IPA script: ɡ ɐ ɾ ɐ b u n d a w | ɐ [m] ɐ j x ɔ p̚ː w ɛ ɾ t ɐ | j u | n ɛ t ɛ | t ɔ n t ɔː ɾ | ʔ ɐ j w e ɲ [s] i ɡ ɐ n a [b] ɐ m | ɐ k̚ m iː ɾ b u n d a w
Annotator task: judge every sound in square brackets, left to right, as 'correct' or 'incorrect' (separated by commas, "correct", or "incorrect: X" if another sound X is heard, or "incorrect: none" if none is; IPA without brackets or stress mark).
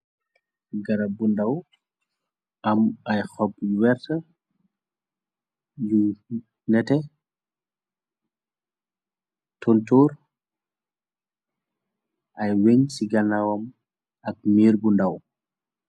correct, correct, incorrect: w